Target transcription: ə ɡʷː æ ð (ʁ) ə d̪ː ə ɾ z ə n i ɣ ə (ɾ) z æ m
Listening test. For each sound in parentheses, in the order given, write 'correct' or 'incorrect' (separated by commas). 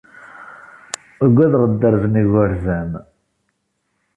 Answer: correct, correct